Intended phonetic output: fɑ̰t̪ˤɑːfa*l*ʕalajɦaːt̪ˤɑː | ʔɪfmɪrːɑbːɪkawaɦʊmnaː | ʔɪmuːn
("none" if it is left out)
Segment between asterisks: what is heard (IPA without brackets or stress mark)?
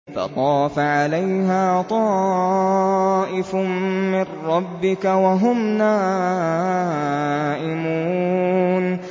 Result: none